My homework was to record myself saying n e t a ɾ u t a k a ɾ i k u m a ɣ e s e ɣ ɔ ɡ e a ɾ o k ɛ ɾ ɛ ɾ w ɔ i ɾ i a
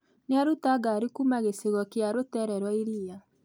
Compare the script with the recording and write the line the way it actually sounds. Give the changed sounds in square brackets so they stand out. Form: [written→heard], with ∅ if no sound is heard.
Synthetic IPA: n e [t→∅] a ɾ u t a [k→ɡ] a ɾ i k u m a ɣ e s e ɣ ɔ [ɡ→k] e a ɾ o [k→t] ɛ ɾ ɛ ɾ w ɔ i ɾ i a